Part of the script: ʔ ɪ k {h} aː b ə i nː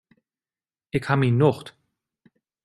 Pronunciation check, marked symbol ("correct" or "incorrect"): correct